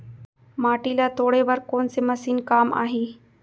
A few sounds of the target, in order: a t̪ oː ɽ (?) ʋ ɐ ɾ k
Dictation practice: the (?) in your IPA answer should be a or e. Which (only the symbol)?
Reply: e